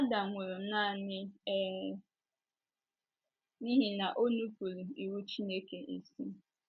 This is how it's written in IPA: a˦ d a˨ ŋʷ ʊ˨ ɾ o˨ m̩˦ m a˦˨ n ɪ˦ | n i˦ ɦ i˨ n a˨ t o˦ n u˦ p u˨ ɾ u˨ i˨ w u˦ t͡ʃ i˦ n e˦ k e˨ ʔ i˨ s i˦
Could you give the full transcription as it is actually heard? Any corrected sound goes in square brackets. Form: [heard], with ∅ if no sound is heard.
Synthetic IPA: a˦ d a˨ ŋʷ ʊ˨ ɾ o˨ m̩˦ [n] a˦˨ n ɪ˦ | n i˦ ɦ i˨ n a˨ [ʔ] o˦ n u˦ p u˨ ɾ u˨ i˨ w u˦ t͡ʃ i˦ n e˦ k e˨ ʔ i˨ s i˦